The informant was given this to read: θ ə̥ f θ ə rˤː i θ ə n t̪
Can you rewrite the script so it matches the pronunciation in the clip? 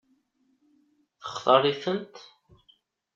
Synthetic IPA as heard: θ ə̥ χ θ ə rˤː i θ ə n t̪

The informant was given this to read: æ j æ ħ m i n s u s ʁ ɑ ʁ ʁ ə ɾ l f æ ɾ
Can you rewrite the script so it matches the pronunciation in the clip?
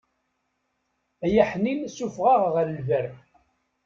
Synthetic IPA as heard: æ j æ ħ n i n s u f ʁ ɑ ʁ ʁ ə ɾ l v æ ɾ

